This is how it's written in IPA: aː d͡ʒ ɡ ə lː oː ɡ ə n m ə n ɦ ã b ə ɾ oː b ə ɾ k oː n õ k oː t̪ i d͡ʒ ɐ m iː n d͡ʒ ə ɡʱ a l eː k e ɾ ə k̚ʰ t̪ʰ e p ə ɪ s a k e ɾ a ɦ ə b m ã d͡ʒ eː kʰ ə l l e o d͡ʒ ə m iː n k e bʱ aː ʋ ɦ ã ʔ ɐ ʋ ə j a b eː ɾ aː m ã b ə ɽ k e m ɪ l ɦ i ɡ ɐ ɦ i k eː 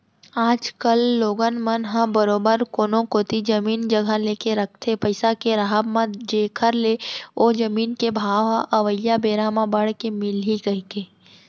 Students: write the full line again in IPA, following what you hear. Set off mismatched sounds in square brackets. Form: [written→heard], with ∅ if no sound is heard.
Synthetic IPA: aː d͡ʒ [ɡ→k] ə lː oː ɡ ə n m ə n ɦ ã b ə ɾ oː b ə ɾ k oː n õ k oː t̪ i d͡ʒ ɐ m iː n d͡ʒ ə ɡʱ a l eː k e ɾ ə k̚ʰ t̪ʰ e p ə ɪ s a k e ɾ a ɦ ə b m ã d͡ʒ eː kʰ ə [l→ɾ] l e o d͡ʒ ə m iː n k e bʱ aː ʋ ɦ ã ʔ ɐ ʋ ə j a b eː ɾ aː m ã b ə ɽ k e m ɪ l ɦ i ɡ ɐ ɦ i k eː